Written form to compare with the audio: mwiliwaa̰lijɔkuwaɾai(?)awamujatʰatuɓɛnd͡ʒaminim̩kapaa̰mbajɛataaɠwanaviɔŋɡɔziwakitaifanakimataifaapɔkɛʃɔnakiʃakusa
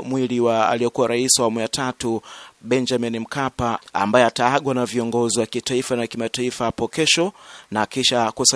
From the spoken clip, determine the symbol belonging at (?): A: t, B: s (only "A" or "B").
B